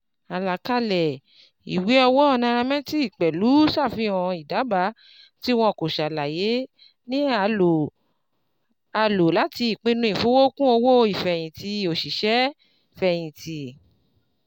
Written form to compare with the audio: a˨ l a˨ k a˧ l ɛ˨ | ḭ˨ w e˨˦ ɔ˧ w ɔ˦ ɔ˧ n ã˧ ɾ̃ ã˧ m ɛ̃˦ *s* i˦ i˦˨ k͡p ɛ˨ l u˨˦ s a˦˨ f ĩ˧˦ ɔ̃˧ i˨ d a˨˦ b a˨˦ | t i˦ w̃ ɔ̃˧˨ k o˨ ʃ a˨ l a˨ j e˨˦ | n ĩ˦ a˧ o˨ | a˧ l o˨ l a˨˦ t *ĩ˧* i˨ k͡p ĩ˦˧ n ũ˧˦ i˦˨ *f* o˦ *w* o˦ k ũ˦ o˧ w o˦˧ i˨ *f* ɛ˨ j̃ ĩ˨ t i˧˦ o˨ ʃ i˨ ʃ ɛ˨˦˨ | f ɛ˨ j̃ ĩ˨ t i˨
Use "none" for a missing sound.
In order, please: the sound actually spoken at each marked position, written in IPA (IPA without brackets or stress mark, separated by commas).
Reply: t, i˧, f, w, f